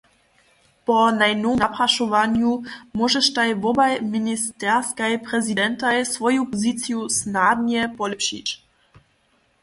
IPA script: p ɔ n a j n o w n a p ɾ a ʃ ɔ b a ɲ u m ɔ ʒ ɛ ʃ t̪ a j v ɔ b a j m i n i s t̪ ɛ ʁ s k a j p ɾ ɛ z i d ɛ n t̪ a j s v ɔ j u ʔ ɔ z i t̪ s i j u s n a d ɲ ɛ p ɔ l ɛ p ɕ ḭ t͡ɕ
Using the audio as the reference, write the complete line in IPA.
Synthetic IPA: p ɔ n a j n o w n a p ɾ a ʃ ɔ v a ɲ u m ɔ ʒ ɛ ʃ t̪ a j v ɔ b a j m i n i s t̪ ɛ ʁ s k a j p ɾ ɛ z i d ɛ n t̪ a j s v ɔ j u p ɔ z i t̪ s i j u s n a d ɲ ɛ p ɔ l ɛ p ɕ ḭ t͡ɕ